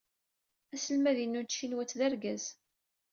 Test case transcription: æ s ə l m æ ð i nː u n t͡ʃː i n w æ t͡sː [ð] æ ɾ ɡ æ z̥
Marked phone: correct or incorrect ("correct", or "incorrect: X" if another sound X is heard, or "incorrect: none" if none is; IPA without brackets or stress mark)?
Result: correct